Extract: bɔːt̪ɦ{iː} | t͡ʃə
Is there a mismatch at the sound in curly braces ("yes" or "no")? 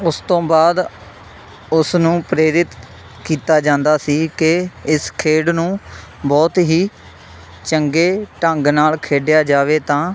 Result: no